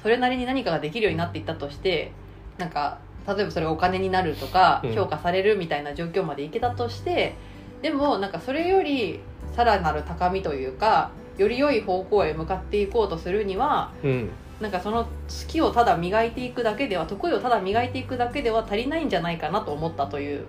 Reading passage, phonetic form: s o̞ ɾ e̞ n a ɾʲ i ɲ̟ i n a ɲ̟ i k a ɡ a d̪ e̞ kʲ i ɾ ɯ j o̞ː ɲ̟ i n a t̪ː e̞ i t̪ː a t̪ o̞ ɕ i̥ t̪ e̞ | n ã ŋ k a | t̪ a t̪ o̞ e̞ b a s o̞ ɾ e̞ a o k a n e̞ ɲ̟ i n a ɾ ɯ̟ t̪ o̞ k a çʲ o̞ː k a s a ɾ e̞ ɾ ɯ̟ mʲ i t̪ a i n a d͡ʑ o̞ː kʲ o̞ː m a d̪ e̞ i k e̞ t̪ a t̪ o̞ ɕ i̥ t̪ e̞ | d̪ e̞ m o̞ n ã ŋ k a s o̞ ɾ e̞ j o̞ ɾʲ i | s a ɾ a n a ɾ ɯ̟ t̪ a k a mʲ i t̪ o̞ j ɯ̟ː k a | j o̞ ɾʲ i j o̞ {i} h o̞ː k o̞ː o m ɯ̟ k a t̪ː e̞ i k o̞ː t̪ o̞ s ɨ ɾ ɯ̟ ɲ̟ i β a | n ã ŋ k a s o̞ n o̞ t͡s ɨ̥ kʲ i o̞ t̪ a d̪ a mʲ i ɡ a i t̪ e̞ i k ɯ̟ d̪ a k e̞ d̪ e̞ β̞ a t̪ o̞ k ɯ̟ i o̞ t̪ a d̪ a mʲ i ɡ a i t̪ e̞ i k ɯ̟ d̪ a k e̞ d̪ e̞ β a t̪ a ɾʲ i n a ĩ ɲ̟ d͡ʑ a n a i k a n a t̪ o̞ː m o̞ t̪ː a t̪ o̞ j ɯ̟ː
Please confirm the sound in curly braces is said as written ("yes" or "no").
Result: yes